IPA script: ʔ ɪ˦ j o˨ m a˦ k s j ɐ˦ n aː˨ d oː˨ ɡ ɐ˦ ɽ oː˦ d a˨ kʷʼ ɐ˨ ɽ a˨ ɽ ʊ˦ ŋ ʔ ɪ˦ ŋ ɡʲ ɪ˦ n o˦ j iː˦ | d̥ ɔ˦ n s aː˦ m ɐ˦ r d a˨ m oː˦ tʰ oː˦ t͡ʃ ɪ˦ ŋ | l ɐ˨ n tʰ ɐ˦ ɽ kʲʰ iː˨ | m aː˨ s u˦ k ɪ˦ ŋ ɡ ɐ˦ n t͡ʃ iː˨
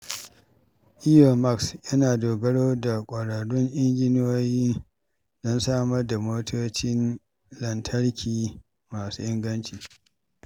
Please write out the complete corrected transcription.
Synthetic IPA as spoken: ʔ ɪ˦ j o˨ m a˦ k s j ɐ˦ n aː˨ d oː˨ ɡ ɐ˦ ɽ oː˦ d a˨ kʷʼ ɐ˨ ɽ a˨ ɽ ʊ˦ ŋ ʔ ɪ˦ ŋ ɡʲ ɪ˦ n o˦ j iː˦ | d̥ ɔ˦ n s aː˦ m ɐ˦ r d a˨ m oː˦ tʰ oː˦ t͡ʃ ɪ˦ n | l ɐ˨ n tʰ ɐ˦ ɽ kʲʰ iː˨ | m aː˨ s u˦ ʔ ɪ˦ ŋ ɡ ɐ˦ n t͡ʃ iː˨